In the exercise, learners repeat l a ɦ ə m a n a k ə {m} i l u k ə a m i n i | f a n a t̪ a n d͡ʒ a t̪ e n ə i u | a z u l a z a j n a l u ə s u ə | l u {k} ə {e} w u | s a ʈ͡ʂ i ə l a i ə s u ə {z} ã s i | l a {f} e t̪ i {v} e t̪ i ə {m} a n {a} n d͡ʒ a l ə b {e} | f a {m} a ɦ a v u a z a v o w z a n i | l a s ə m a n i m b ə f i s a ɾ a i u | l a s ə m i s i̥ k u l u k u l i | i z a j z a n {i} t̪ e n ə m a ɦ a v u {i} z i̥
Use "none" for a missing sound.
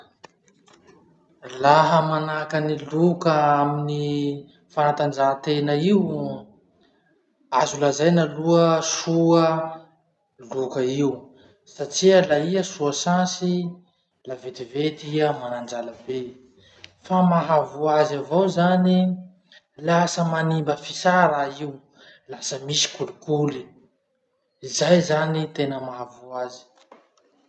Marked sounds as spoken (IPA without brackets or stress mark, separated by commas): n, k, i, s, v, v, m, a, e, m, i, a